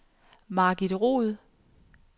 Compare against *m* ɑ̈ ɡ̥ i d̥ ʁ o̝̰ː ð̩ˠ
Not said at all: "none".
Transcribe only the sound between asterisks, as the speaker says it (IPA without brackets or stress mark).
m